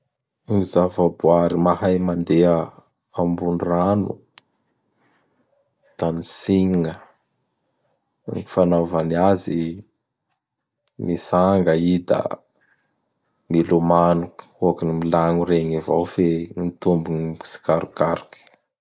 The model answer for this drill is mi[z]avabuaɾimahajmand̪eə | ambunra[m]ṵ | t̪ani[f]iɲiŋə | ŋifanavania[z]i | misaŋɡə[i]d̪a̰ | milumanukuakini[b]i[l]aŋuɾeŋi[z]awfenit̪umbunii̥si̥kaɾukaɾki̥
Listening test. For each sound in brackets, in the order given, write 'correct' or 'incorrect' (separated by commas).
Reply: correct, incorrect, incorrect, correct, correct, incorrect, correct, incorrect